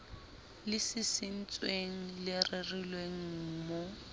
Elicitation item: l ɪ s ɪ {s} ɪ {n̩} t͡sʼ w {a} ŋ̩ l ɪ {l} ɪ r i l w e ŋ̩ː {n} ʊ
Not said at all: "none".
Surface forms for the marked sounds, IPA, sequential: s, n̩, e, r, m

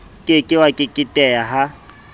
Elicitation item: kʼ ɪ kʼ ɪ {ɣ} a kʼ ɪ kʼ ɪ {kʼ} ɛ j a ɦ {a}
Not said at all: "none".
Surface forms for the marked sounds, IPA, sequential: w, tʼ, a

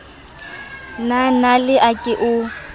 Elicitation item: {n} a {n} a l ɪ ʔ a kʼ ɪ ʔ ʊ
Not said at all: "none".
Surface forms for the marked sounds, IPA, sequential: n, n

